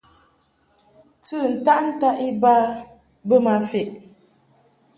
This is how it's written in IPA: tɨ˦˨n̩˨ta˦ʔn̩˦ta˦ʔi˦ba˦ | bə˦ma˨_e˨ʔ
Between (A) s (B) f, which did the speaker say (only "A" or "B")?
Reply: B